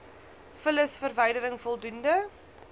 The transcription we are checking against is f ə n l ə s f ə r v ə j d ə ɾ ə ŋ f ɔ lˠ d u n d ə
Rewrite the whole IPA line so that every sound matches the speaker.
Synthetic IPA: f ə l ə s f ə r v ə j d ə ɾ ə ŋ f ɔ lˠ d u n d ə